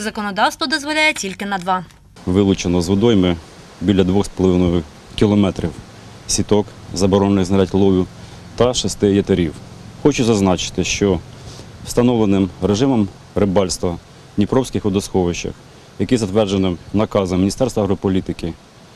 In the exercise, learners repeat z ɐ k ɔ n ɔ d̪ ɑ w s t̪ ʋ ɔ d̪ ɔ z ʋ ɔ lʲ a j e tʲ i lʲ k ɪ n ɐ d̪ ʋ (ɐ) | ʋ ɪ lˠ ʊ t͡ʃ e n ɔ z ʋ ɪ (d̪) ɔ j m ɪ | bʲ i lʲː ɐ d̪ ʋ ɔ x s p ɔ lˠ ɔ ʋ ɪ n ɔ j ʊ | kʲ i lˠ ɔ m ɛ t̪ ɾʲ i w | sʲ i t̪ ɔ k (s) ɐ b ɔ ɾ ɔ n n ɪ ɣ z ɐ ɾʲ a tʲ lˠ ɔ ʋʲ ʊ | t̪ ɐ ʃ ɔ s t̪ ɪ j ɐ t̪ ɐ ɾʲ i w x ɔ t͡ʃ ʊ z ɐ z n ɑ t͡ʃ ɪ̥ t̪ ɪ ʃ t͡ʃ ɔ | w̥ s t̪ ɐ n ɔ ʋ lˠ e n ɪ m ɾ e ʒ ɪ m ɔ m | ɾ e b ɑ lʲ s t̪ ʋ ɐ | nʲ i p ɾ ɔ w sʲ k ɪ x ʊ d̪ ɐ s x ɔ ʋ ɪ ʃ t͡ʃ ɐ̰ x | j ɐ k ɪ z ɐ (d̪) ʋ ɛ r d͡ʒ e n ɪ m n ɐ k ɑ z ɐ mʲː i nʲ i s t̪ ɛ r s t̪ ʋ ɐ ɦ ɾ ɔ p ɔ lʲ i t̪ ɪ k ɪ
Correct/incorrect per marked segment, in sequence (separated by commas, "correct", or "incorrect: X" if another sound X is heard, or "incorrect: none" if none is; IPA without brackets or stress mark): incorrect: ɑ, correct, incorrect: z, incorrect: t̪